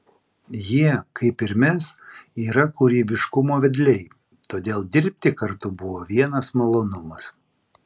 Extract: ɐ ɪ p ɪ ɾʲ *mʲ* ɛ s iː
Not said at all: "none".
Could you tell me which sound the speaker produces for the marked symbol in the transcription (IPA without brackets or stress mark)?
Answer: mʲ